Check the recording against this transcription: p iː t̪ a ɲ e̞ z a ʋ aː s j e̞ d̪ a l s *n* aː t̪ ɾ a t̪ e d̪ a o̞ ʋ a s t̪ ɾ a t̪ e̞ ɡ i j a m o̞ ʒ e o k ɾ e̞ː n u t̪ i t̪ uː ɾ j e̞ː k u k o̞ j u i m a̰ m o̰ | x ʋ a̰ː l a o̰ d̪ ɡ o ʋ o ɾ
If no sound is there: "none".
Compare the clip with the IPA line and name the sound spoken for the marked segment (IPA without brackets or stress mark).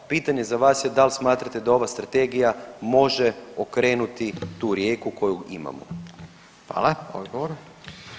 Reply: m